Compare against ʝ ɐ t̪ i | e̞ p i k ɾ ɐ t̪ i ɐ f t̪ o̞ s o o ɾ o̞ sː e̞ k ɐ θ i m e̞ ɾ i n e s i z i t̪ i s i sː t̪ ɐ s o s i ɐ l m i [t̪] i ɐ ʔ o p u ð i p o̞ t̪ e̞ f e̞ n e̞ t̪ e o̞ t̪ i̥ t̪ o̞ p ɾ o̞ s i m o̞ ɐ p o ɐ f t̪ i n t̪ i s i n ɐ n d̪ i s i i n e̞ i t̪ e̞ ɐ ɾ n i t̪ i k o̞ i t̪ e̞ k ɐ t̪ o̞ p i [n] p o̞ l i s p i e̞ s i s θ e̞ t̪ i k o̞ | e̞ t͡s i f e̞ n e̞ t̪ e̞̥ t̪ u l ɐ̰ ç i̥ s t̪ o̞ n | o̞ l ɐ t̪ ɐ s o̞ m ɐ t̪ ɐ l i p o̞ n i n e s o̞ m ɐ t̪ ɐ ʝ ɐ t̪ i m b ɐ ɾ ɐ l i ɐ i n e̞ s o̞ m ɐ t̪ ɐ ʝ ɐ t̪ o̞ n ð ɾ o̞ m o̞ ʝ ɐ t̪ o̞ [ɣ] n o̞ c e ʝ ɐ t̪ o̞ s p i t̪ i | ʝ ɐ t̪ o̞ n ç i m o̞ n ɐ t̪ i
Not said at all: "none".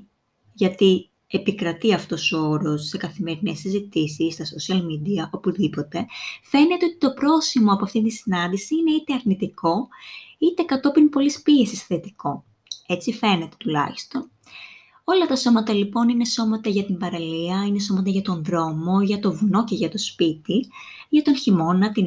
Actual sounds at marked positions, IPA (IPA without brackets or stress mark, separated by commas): d̪, n, v